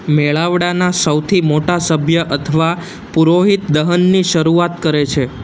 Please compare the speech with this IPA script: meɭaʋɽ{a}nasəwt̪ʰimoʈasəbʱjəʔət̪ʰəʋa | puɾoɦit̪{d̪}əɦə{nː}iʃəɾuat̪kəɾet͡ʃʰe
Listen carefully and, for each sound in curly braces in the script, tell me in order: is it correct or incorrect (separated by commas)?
correct, correct, correct